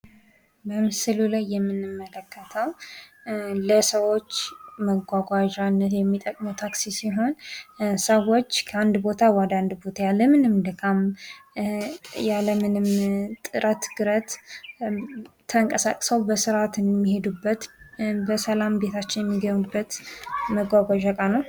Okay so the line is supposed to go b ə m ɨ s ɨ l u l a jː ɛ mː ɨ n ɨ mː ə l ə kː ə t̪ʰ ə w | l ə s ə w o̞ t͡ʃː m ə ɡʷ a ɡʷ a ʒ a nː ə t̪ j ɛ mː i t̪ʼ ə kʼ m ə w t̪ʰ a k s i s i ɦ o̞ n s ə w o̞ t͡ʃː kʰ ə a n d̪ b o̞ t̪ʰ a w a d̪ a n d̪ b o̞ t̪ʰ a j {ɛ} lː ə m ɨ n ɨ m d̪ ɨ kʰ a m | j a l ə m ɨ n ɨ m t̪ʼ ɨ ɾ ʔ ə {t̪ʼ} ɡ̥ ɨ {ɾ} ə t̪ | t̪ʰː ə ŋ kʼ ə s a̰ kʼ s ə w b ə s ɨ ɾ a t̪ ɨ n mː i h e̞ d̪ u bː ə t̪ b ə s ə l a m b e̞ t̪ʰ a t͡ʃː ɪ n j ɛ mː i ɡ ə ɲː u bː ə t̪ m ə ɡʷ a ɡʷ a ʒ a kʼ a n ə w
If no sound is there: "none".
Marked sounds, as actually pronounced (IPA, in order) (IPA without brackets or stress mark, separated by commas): a, t̪, ɾ